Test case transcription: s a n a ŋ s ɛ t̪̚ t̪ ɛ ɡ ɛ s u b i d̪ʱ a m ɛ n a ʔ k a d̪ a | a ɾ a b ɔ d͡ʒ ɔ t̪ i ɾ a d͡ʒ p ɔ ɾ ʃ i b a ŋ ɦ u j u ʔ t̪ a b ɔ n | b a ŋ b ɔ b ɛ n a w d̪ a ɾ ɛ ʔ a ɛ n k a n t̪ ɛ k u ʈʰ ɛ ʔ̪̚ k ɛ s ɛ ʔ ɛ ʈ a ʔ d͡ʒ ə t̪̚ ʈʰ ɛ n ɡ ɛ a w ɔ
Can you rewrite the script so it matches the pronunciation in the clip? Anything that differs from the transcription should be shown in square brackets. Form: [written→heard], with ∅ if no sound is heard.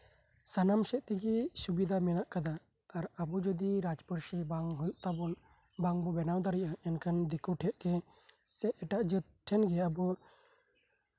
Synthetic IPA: s a n a [ŋ→m] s ɛ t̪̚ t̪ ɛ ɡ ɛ s u b i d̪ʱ a m ɛ n a ʔ k a d̪ a | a ɾ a b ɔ d͡ʒ ɔ [t̪→d̪] i ɾ a d͡ʒ p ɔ ɾ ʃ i b a ŋ ɦ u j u ʔ t̪ a b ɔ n | b a ŋ b ɔ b ɛ n a w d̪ a ɾ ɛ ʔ a ɛ n k a n [t̪→d̪] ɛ k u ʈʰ ɛ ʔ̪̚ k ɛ s ɛ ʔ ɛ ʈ a ʔ d͡ʒ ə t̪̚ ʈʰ ɛ n ɡ ɛ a [w→b] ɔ